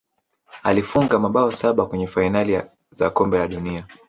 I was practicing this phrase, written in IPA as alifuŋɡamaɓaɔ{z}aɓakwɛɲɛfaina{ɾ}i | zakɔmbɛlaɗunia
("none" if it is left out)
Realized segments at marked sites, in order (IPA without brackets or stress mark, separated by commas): s, l